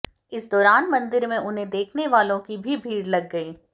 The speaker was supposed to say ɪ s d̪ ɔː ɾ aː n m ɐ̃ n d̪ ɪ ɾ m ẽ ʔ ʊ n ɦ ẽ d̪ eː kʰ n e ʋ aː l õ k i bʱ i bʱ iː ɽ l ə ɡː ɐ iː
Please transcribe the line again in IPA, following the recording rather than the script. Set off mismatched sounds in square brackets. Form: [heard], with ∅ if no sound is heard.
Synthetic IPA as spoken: ɪ s d̪ ɔː ɾ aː n m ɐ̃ n d̪ ɪ ɾ m ẽ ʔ ʊ n ɦ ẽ d̪ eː kʰ n e ʋ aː l õ k i bʱ i bʱ iː ɽ l [ɐ] ɡː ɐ iː